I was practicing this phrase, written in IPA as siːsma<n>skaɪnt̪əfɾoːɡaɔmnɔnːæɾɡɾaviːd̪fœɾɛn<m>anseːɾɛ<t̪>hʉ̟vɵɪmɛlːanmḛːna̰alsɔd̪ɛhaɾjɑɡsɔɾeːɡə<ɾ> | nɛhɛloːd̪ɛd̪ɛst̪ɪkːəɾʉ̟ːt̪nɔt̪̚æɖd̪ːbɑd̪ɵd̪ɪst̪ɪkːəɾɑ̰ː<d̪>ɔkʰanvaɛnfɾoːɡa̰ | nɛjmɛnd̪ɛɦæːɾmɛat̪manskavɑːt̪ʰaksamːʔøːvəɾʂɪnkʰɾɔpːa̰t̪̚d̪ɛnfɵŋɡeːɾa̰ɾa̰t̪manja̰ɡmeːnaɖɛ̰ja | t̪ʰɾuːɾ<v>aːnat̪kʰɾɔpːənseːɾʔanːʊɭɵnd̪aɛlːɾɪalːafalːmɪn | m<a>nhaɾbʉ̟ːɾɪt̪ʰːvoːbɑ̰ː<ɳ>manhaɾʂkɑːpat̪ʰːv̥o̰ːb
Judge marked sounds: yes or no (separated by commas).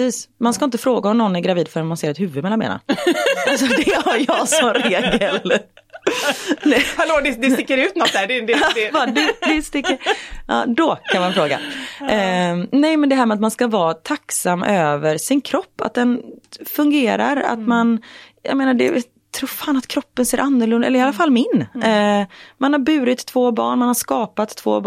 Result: yes, yes, yes, no, yes, no, yes, yes